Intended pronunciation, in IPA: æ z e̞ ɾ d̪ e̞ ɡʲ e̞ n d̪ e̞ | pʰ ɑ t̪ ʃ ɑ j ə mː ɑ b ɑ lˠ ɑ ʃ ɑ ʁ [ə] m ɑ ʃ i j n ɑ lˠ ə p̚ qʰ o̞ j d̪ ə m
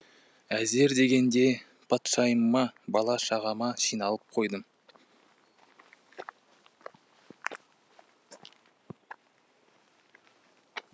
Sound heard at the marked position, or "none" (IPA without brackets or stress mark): ɑ